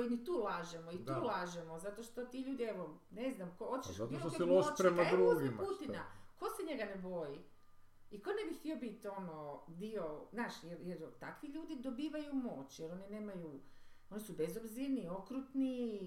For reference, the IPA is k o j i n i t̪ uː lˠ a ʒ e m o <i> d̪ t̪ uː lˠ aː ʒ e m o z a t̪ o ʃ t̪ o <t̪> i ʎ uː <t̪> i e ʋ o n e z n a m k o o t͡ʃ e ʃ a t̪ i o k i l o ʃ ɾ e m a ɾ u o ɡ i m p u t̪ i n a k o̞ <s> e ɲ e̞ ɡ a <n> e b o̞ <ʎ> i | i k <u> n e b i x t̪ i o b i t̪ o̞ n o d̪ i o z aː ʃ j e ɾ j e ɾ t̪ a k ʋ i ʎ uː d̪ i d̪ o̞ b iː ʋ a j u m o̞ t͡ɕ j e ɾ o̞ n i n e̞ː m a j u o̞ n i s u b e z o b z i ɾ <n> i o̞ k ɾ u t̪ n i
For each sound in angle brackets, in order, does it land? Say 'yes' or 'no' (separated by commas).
yes, yes, no, yes, yes, no, no, yes